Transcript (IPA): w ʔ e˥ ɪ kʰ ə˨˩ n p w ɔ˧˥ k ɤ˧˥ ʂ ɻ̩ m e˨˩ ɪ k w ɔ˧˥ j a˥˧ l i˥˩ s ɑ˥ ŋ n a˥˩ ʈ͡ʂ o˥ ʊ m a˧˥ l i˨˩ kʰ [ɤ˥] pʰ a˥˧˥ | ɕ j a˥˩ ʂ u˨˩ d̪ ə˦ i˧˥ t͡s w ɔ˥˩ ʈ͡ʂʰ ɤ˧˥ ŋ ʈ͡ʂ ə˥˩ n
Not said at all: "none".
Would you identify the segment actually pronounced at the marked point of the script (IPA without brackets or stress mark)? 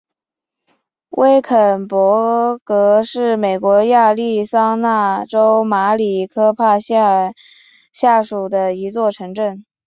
ɤ˥